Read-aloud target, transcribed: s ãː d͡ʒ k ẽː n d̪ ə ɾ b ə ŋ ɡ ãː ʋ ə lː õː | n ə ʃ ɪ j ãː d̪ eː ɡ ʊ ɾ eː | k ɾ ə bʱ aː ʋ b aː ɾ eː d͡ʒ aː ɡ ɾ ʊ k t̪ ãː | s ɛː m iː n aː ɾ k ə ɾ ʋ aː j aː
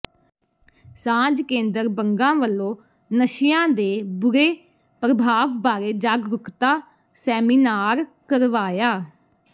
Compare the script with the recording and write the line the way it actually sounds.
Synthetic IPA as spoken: s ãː d͡ʒ k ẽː n d̪ ə ɾ b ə ŋ ɡ ãː ʋ ə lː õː | n ə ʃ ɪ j ãː d̪ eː b ʊ ɾ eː | p ɾ ə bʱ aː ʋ b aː ɾ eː d͡ʒ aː ɡ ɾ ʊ k t̪ aː | s ɛː m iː n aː ɾ k ə ɾ ʋ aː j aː

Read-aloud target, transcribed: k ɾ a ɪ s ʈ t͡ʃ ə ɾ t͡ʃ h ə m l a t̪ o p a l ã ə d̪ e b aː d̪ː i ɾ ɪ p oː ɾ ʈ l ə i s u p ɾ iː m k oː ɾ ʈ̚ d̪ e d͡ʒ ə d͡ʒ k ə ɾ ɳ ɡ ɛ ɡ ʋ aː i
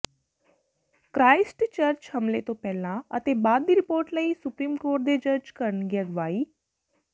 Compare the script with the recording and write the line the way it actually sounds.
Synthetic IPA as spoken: k ɾ a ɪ s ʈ t͡ʃ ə ɾ t͡ʃ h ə m l e t̪ o p ɛ l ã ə t̪ e b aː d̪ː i ɾ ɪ p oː ɾ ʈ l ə i s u p ɾ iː m k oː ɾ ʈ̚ d̪ e d͡ʒ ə d͡ʒ k ə ɾ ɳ ɡ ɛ ɡ ʋ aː i

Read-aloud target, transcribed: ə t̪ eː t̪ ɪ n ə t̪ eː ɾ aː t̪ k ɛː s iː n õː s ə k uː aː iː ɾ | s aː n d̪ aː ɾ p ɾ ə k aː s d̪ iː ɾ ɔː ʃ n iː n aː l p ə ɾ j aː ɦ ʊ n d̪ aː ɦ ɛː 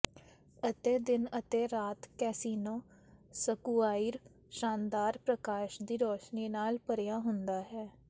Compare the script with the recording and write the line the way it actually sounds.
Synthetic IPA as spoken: ə t̪ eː d̪ ɪ n ə t̪ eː ɾ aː t̪ k ɛː s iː n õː s ə k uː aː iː ɾ | ʃ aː n d̪ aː ɾ p ɾ ə k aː ʃ d̪ iː ɾ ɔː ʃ n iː n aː l p ə ɾ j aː ɦ ʊ n d̪ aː ɦ ɛː

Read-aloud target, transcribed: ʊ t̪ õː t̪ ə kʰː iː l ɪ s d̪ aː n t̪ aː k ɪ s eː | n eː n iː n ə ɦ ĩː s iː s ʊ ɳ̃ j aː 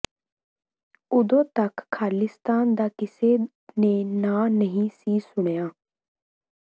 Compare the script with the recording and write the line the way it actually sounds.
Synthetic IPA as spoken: ʊ d̪ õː t̪ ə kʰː aː l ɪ s t̪ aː n d̪ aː k ɪ s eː | n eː n aː n ə ɦ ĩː s iː s ʊ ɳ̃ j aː

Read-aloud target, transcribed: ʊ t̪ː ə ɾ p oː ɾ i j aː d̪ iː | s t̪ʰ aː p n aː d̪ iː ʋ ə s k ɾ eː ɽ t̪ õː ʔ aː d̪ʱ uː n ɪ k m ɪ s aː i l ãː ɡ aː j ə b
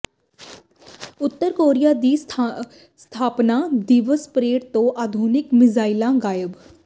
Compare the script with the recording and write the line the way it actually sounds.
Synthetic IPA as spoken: ʊ t̪ː ə ɾ k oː ɾ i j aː d̪ iː | s t̪ʰ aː p n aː d̪ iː ʋ ə s p ɾ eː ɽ t̪ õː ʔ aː d̪ʱ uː n ɪ k m ɪ z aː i l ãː ɡ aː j ə b

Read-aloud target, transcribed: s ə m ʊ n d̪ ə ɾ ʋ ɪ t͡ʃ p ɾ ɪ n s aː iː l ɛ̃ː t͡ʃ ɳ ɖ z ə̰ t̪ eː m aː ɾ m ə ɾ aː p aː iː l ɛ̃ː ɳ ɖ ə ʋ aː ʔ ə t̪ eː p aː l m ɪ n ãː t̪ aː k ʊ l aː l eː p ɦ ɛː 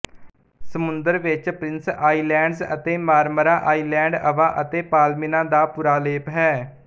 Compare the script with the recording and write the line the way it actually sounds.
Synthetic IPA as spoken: s ə m ʊ n d̪ ə ɾ ʋ ɪ t͡ʃ p ɾ ɪ n s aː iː l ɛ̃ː ɳ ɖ z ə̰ t̪ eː m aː ɾ m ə ɾ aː ʔ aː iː l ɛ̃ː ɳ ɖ ə ʋ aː ʔ ə t̪ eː p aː l m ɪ n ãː d̪ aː p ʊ ɾ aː l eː p ɦ ɛː

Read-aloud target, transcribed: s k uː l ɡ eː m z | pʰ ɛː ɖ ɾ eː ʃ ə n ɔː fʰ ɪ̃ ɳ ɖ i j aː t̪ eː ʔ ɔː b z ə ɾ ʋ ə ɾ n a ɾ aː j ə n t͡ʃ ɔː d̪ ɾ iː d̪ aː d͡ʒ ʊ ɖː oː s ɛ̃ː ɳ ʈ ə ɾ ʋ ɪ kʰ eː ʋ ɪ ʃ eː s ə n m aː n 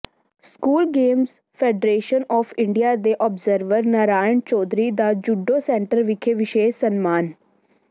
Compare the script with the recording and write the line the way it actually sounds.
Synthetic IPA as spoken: s k uː l ɡ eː m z | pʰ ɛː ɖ ɾ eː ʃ ə n ɔː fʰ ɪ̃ ɳ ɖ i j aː d̪ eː ʔ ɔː b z ə ɾ ʋ ə ɾ n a ɾ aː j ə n t͡ʃ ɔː d̪ ɾ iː d̪ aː d͡ʒ ʊ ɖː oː s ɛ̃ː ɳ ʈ ə ɾ ʋ ɪ kʰ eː ʋ ɪ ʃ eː s ə n m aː n

